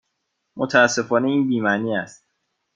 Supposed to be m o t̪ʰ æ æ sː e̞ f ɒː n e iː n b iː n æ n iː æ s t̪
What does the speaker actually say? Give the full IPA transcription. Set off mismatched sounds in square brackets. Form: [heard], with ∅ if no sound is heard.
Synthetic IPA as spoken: m o t̪ʰ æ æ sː e̞ f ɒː n e iː n b iː [m] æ n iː æ s t̪